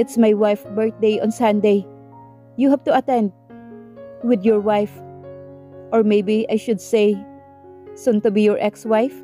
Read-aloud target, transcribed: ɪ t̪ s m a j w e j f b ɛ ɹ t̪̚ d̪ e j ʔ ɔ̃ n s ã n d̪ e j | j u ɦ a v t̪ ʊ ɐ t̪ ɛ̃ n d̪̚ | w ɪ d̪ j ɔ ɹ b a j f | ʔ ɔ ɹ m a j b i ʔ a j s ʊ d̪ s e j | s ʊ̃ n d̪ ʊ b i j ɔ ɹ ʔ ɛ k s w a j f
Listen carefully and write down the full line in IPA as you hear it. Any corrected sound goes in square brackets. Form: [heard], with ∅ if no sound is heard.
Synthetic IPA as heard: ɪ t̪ s m a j w [a] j f b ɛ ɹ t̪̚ d̪ e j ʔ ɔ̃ n s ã n d̪ e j | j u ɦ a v t̪ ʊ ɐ t̪ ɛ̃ n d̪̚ | w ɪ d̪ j ɔ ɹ [w] a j f | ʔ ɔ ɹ m [e] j b i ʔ a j [ʃ] ʊ d̪ s e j | s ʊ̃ n [t̪] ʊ b i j ɔ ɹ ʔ ɛ k s w a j f

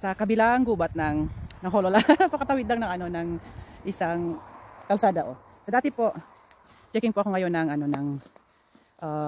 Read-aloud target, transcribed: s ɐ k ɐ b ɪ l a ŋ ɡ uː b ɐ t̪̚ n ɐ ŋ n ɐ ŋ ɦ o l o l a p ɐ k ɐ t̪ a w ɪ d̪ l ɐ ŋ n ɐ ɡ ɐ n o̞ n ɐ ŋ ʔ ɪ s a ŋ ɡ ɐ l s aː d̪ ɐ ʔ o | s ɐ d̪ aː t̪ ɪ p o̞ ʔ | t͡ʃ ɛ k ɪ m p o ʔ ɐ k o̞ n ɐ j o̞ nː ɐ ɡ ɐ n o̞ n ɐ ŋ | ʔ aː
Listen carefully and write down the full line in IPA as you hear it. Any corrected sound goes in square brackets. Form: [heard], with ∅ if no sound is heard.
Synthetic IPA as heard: s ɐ k ɐ b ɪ l a ŋ ɡ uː b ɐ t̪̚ n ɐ ŋ n ɐ ŋ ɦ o l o l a p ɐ k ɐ t̪ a w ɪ d̪ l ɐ ŋ n ɐ [ŋ] ɐ n o̞ n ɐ ŋ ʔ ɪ s a ŋ [k] ɐ l s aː d̪ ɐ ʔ o | s ɐ d̪ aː t̪ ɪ p o̞ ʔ | t͡ʃ ɛ k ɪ [ŋ] p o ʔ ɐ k o̞ [ŋ] ɐ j o̞ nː ɐ [ŋ] ɐ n o̞ n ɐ ŋ | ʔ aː

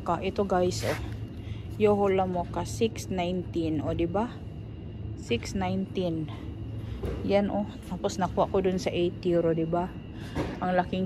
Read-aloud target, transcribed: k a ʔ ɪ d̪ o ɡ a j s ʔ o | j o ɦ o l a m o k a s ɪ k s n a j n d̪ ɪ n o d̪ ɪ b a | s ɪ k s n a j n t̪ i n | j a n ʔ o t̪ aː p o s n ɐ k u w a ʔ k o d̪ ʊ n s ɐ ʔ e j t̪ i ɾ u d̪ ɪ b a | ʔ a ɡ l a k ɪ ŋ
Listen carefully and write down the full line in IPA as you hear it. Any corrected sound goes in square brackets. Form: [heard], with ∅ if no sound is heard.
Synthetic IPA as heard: k a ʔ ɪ [t̪] o ɡ a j s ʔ o | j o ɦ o l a m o k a s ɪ k s n a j n [t̪] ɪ n o d̪ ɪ b a | s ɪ k s n a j n t̪ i n | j a n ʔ o t̪ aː p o s n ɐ k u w a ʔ k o d̪ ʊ n s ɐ ʔ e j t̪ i ɾ [o] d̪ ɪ b a | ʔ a [ŋ] l a k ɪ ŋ

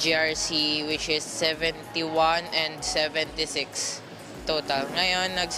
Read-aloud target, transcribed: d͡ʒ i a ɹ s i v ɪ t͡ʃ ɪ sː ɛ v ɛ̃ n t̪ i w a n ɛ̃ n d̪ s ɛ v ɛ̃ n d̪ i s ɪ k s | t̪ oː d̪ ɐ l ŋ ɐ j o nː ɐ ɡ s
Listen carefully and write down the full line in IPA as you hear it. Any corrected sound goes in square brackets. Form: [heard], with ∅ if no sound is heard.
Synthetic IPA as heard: d͡ʒ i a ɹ s i [w] ɪ t͡ʃ ɪ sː ɛ v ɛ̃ n t̪ i w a n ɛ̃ n d̪ s ɛ v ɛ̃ n [t̪] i s ɪ k s | t̪ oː [t̪] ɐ l ŋ ɐ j o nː ɐ ɡ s

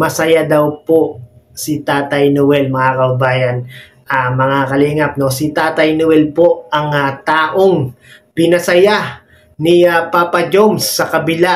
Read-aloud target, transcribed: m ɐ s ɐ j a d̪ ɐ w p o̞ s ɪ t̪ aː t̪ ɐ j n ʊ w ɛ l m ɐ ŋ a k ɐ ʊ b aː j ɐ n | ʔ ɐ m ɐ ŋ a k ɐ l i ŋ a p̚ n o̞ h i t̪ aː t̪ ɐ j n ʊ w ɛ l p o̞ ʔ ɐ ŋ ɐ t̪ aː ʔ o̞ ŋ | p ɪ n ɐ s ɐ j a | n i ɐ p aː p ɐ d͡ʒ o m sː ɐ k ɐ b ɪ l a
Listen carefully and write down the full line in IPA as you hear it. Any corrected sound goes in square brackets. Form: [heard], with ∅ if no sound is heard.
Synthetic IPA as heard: m ɐ s ɐ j a d̪ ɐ w p o̞ s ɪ t̪ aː t̪ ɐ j n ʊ w ɛ l m ɐ ŋ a k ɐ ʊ b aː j ɐ n | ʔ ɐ m ɐ ŋ a k ɐ l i ŋ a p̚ n o̞ [s] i t̪ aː t̪ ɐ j n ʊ w ɛ l p o̞ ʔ ɐ ŋ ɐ t̪ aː ʔ o̞ ŋ | p ɪ n ɐ s ɐ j a | n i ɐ p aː p ɐ d͡ʒ o m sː ɐ k ɐ b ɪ l a

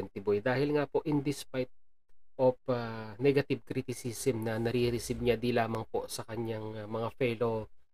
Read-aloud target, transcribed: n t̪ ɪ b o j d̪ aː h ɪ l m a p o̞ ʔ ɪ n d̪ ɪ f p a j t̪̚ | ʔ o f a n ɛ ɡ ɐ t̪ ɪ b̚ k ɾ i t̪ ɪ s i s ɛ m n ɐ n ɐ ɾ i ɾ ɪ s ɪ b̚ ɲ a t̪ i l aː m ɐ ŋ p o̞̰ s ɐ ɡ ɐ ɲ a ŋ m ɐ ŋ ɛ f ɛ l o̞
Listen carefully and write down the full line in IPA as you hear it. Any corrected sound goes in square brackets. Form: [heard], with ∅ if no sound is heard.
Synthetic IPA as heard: n t̪ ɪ b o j d̪ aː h ɪ l [ŋ] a p o̞ ʔ ɪ n d̪ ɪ [s] p a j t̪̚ | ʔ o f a n ɛ ɡ ɐ t̪ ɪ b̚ k ɾ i t̪ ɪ s i s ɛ m n ɐ n ɐ ɾ i ɾ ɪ s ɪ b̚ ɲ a [d̪] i l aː m ɐ ŋ p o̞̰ s ɐ [k] ɐ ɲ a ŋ m ɐ ŋ [a] f ɛ l o̞

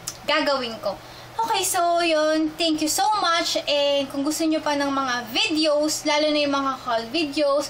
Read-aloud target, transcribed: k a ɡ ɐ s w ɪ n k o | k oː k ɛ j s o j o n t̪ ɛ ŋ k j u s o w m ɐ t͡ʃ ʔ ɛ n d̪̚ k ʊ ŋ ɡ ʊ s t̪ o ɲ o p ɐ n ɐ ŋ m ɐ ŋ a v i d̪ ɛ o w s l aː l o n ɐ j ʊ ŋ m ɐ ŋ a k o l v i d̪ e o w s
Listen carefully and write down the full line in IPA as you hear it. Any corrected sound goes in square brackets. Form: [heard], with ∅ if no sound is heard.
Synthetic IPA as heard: [ɡ] a ɡ ɐ [∅] w ɪ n k o | [ʔ] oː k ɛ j s o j o n t̪ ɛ ŋ k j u s o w m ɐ t͡ʃ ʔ ɛ n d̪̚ k ʊ ŋ ɡ ʊ s t̪ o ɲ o p ɐ n ɐ ŋ m ɐ ŋ a v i d̪ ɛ o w s l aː l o n ɐ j ʊ ŋ m ɐ ŋ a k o l v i d̪ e o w s

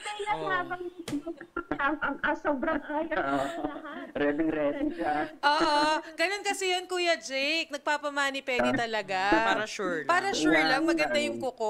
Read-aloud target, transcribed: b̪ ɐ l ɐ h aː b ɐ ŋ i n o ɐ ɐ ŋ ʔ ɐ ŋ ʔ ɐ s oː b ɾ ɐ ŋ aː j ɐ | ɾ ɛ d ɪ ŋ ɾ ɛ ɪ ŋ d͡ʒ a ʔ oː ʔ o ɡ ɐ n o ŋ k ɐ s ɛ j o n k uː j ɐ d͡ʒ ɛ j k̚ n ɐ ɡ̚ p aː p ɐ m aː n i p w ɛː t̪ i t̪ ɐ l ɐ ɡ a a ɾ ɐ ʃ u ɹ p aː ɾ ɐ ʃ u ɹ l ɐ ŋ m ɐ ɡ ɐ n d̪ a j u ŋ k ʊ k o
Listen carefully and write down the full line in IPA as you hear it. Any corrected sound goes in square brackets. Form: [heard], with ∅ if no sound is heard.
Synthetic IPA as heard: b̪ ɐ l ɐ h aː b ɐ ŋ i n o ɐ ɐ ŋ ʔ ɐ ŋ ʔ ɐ s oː b ɾ ɐ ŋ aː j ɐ | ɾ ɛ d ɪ ŋ ɾ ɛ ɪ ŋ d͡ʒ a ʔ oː ʔ o ɡ ɐ n o [n] k ɐ s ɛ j o n k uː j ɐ d͡ʒ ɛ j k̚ n ɐ ɡ̚ p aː p ɐ m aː n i p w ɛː [d̪] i t̪ ɐ l ɐ ɡ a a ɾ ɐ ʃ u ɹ p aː ɾ ɐ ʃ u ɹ l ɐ ŋ m ɐ ɡ ɐ n d̪ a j [ʊ] ŋ k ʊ k o

